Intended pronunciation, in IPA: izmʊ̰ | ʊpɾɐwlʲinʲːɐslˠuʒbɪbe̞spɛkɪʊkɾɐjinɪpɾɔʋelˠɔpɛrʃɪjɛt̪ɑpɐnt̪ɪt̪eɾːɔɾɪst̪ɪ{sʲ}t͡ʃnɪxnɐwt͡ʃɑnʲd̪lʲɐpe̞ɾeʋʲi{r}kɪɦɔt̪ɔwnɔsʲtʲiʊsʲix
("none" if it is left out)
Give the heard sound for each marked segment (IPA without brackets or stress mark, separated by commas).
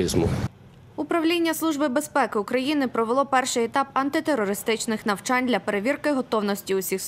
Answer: none, r